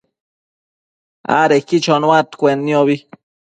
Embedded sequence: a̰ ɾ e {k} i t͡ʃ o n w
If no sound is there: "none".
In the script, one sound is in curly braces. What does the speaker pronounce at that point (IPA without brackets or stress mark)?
k